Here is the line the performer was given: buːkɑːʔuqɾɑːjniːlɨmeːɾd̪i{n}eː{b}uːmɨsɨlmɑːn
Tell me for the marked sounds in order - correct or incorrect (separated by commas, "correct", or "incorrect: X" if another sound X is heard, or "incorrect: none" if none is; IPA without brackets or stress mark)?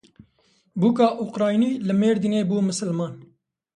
correct, correct